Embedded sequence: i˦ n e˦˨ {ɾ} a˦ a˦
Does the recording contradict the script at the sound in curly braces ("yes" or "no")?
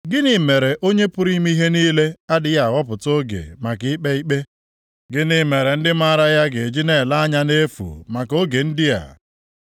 yes